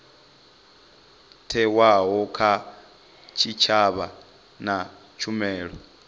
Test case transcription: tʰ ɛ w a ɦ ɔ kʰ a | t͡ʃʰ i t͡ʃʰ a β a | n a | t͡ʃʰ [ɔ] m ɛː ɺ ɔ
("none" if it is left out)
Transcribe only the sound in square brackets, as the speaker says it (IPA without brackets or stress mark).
u